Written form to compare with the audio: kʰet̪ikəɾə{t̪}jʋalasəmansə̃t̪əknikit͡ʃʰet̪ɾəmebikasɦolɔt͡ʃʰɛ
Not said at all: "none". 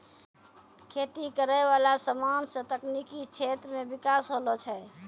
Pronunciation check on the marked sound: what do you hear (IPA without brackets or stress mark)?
none